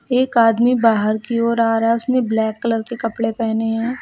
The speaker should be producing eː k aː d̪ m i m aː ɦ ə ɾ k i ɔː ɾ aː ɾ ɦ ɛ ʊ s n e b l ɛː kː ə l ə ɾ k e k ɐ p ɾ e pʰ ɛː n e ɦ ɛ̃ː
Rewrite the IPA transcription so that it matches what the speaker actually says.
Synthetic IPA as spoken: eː k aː d̪ m i b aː ɦ ə ɾ k i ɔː ɾ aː ɾ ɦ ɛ ʊ s n e b l ɛː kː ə l ə ɾ k e k ɐ p ɽ e p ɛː n e ɦ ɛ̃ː